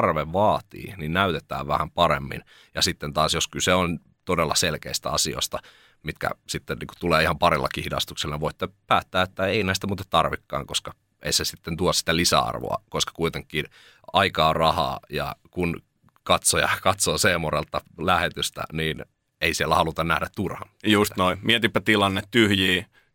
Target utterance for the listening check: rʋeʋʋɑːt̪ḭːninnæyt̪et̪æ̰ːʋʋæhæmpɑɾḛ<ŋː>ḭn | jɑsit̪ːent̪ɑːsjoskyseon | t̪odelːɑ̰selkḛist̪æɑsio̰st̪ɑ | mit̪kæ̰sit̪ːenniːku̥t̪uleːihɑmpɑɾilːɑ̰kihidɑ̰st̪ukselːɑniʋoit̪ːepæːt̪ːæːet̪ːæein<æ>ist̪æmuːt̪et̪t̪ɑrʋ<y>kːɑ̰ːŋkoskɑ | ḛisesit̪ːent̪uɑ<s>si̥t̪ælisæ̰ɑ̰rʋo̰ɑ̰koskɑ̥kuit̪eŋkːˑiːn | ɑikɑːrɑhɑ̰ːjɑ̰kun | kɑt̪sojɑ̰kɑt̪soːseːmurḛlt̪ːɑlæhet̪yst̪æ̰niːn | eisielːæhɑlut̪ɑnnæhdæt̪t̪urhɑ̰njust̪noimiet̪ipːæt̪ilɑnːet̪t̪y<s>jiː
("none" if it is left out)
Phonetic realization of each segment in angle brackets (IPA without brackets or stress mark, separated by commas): mː, æ, i, s, h